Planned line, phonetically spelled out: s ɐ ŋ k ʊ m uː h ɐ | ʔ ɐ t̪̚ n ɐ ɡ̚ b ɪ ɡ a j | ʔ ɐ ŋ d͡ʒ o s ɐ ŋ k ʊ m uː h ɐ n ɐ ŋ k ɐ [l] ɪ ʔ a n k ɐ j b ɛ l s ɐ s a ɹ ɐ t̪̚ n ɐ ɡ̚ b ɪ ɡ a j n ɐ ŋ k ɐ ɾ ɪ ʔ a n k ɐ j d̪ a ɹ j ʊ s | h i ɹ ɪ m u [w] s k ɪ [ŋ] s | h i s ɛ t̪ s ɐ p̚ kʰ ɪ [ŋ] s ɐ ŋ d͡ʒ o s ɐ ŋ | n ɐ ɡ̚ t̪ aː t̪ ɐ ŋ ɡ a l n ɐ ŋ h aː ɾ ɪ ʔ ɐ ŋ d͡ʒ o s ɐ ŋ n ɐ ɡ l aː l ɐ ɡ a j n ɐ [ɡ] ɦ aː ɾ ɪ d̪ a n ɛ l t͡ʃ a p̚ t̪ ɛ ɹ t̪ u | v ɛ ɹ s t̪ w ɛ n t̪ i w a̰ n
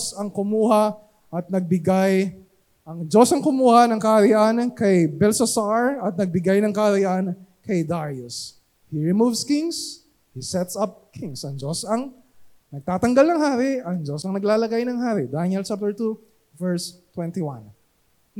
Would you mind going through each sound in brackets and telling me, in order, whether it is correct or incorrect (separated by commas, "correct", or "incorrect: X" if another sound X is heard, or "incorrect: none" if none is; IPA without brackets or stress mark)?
incorrect: ɾ, incorrect: v, correct, correct, incorrect: ŋ